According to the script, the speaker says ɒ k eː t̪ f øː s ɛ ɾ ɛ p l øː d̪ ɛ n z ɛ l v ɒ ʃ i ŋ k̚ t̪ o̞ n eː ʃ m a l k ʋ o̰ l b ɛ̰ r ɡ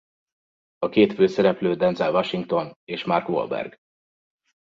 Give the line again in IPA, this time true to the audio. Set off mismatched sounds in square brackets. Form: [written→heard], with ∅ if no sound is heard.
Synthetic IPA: ɒ k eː t̪ f øː s ɛ ɾ ɛ p l øː d̪ ɛ n z ɛ l v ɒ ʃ i ŋ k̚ t̪ o̞ n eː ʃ m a [l→r] k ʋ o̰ l b ɛ̰ r ɡ

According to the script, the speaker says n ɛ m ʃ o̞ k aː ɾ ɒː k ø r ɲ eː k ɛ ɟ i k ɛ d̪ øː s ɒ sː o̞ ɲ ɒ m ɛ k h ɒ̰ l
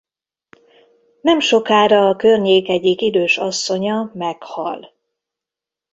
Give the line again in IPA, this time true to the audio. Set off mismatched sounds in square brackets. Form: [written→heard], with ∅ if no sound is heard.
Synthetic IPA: n ɛ m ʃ o̞ k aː ɾ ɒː k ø r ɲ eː k ɛ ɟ i k [ɛ→i] d̪ øː [s→ʃ] ɒ sː o̞ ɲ ɒ m ɛ k h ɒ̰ l

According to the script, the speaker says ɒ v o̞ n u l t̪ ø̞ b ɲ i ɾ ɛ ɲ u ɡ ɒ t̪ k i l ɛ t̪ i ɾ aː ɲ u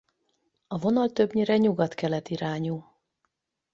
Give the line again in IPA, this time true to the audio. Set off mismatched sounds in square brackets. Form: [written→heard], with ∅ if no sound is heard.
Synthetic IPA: ɒ v o̞ n [u→ɒ] l t̪ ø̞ b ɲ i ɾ ɛ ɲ u ɡ ɒ t̪ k [i→ɛ] l ɛ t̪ i ɾ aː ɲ u

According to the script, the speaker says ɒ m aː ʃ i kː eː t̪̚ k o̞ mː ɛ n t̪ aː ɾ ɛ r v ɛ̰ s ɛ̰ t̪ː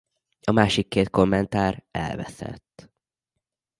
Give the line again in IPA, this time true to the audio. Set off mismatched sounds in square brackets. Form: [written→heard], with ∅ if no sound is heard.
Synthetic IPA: ɒ m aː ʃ i kː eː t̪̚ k o̞ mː ɛ n t̪ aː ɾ ɛ [r→l] v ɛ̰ s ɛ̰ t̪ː

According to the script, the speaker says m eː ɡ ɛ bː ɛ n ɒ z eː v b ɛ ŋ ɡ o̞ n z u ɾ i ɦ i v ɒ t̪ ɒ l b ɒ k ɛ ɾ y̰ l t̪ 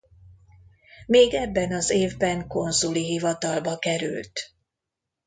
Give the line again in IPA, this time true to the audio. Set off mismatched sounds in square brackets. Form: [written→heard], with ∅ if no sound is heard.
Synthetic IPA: m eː ɡ ɛ bː ɛ n ɒ z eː v b ɛ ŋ [ɡ→k] o̞ n z u [ɾ→l] i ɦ i v ɒ t̪ ɒ l b ɒ k ɛ ɾ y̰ l t̪

